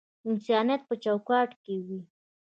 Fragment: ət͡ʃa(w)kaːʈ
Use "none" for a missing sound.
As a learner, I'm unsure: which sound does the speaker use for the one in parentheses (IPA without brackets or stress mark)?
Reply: w